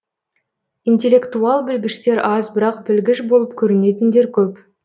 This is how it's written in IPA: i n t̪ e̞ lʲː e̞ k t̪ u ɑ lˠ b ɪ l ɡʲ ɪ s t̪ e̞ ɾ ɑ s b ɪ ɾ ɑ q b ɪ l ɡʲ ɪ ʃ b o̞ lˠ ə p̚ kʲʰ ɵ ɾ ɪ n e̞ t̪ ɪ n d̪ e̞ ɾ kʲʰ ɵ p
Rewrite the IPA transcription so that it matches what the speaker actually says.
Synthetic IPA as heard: i n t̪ e̞ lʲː e̞ k t̪ u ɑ lˠ b ɪ l ɡʲ ɪ ʃ t̪ e̞ ɾ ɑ z b ɪ ɾ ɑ q b ɪ l ɡʲ ɪ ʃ b o̞ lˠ ə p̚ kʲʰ ɵ ɾ ɪ n e̞ t̪ ɪ n d̪ e̞ ɾ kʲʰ ɵ p

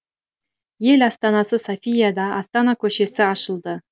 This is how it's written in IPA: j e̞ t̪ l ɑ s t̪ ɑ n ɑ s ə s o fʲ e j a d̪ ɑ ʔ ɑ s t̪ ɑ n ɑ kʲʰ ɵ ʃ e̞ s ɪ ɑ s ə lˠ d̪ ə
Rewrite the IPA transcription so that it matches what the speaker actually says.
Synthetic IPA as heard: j e̞ l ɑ s t̪ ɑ n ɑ s ə s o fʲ i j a d̪ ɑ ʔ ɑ s t̪ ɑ n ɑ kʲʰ ɵ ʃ e̞ s ɪ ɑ ʃ ə lˠ d̪ ə

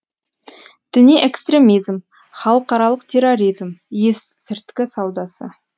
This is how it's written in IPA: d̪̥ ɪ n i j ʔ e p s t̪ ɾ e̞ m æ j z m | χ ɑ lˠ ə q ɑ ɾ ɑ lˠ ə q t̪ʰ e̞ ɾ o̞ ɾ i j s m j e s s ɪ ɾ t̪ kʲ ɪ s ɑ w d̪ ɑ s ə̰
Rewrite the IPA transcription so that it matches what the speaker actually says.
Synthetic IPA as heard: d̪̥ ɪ n i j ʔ e k s t̪ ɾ e̞ m i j z m | χ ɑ lˠ ə q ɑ ɾ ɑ lˠ ə q t̪ʰ e̞ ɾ o̞ ɾ i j z m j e s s ɪ ɾ t̪ kʲ ɪ s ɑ w d̪ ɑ s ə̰

